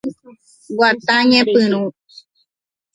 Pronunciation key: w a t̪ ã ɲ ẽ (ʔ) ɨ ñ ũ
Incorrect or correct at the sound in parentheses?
incorrect: p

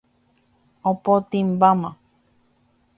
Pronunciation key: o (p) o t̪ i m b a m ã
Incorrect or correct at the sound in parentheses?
correct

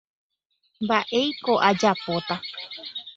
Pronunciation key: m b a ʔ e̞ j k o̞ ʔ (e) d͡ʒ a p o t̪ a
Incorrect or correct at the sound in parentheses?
incorrect: a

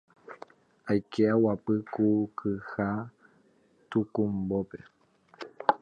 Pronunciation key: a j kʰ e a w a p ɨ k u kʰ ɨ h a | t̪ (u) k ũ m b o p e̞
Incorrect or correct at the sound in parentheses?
correct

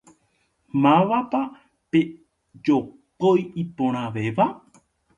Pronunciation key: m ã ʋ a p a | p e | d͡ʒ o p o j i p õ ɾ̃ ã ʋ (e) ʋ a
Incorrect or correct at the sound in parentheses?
correct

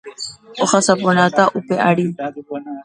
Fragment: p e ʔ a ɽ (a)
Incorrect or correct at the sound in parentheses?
incorrect: i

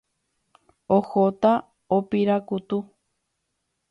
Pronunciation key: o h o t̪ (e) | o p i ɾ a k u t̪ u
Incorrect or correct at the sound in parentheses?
incorrect: a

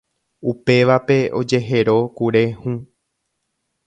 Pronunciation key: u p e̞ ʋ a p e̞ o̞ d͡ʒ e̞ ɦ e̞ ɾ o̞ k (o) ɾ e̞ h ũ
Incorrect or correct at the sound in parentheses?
incorrect: u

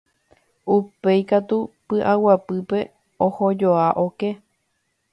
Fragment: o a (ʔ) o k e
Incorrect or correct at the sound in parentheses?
correct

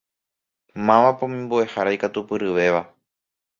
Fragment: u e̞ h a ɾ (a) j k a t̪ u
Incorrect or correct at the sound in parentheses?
correct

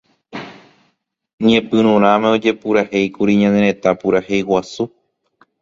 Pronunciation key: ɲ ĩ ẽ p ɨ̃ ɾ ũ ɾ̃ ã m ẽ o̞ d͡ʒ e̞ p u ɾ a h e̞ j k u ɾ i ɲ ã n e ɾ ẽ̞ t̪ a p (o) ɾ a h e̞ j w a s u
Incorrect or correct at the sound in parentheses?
incorrect: u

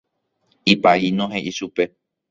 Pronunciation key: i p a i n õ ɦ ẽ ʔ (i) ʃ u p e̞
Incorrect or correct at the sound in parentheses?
correct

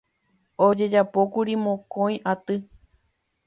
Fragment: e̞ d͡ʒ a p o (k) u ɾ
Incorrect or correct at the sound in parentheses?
correct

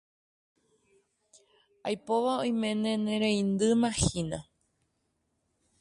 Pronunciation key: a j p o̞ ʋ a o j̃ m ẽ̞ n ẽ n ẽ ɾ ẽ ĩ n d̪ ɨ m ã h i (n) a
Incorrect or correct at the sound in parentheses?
correct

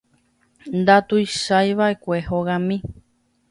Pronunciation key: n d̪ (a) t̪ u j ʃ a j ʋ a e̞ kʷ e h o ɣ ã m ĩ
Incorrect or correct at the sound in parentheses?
correct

